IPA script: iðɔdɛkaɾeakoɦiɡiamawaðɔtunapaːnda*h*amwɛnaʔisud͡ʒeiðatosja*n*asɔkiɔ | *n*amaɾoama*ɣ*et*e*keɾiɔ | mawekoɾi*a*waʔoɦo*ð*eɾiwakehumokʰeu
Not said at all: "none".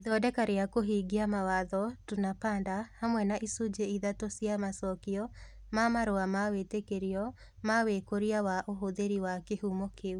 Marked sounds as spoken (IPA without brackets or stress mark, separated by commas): h, m, m, w, e, a, ð